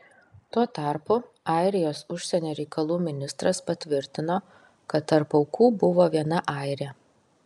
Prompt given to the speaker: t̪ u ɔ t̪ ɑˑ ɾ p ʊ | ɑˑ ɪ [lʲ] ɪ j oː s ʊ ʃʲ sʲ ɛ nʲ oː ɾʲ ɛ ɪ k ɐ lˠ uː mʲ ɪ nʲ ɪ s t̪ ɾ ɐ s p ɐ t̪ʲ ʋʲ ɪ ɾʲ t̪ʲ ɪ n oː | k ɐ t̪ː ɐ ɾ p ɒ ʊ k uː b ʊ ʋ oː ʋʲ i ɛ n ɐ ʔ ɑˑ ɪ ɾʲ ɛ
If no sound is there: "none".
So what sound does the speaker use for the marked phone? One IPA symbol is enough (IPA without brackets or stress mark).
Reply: ɾʲ